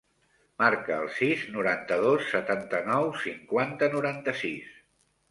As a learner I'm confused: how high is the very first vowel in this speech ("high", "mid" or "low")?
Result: low